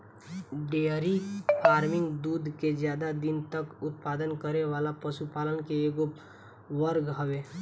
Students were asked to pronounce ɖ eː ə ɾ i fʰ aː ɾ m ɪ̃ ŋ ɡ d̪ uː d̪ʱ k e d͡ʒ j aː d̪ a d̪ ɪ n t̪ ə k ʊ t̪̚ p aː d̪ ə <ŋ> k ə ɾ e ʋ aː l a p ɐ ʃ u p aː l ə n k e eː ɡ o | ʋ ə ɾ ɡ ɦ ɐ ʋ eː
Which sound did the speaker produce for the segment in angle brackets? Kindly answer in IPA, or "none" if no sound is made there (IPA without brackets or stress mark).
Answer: n